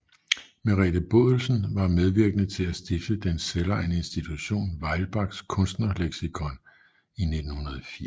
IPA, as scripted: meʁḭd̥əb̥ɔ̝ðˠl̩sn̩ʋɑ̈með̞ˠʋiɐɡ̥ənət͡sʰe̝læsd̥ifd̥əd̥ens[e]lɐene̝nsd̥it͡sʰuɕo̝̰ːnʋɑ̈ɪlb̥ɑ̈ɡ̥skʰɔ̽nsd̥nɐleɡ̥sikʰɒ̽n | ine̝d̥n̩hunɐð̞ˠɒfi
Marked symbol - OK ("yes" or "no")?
yes